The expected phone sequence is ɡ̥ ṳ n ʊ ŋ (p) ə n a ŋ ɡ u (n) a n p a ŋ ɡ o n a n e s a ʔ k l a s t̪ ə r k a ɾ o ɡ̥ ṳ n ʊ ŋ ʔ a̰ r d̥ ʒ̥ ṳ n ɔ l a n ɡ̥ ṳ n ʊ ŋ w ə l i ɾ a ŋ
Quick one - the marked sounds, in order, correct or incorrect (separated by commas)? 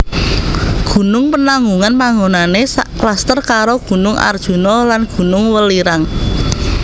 correct, incorrect